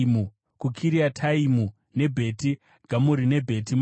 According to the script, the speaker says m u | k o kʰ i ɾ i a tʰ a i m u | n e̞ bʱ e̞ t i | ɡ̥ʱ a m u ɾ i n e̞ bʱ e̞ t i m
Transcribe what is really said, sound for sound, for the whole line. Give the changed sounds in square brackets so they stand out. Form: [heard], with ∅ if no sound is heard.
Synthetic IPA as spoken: m u | k [u] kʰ i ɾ i a tʰ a i m u | n e̞ bʱ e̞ t i | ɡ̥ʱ a m u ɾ i n e̞ bʱ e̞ t i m